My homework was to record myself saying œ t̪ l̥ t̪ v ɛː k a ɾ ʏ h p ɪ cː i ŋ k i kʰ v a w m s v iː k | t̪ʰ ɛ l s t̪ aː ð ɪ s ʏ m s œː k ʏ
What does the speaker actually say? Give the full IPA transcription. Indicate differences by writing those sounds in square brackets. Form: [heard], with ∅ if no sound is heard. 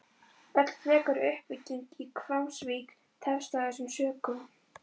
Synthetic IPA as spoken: œ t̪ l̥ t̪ v ɛː k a ɾ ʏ h p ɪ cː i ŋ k i kʰ v a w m s v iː k | t̪ʰ ɛ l s t̪ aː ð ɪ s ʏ m s œː k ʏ